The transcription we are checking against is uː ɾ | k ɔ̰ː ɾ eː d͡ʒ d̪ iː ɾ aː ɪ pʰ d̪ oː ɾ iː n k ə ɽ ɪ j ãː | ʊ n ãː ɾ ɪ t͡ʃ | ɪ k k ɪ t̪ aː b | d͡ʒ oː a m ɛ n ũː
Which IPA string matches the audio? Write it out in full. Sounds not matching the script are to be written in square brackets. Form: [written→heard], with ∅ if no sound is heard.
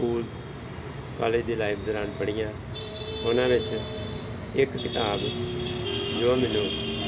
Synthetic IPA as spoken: uː [ɾ→l] | k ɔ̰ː [ɾ→l] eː d͡ʒ d̪ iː [ɾ→l] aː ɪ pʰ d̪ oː ɾ [iː→aː] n [k→p] ə ɽ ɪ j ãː | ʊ n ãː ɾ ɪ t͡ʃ | ɪ k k ɪ t̪ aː b | d͡ʒ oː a m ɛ n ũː